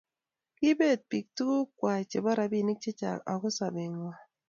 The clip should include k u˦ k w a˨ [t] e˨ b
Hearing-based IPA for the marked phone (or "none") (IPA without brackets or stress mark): t͡ʃ